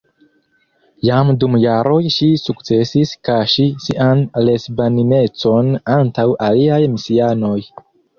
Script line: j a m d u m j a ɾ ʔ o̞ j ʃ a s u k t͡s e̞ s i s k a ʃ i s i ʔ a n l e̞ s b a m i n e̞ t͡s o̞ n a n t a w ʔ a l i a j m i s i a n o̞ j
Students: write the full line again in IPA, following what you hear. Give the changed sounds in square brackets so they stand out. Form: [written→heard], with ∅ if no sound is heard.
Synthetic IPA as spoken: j a m d u m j a ɾ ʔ o̞ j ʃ [a→i] s u k t͡s e̞ s i s k a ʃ i s i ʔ a n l e̞ s b a [m→n] i n e̞ t͡s o̞ n a n t a w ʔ a l i a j m i s i a n o̞ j